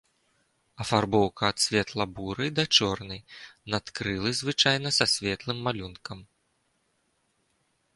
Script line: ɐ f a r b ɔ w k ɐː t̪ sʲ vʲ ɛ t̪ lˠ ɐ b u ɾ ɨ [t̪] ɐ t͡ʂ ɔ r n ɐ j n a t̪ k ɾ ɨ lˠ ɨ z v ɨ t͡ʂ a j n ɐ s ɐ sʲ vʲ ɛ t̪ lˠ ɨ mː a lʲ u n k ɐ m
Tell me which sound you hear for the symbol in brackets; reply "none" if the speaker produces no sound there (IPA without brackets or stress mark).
d̪